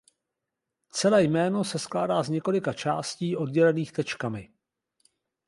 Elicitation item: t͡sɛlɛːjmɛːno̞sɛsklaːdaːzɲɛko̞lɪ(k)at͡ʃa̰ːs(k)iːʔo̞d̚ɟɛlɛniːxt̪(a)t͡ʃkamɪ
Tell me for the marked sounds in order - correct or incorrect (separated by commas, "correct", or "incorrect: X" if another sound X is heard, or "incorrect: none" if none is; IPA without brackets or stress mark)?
correct, incorrect: c, incorrect: ɛ